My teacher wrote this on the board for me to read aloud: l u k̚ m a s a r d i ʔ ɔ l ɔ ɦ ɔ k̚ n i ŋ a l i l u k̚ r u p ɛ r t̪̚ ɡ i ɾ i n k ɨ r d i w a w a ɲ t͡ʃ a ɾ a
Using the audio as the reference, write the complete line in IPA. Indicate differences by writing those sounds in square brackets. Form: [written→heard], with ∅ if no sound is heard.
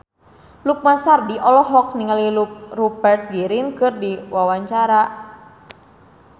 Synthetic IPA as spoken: l u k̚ m a s a r d i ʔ ɔ l ɔ ɦ ɔ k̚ n i ŋ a l i l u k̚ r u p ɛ r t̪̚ ɡ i ɾ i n k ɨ r d i w a w a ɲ t͡ʃ a ɾ a